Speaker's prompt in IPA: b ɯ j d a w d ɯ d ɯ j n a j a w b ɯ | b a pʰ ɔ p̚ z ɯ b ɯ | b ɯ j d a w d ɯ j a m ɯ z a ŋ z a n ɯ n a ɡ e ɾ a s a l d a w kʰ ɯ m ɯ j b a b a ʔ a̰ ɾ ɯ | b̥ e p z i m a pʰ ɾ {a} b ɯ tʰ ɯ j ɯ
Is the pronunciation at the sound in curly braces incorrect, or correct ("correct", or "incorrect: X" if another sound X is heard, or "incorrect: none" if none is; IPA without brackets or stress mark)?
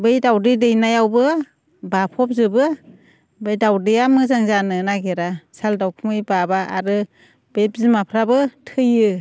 correct